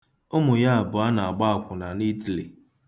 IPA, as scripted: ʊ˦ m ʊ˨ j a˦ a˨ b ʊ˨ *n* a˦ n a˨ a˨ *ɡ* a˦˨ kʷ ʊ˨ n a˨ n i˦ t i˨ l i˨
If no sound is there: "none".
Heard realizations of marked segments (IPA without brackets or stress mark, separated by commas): none, ɡ͡b